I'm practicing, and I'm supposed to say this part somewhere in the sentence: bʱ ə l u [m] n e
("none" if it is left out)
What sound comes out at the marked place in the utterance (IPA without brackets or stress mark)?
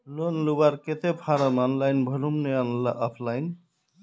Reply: m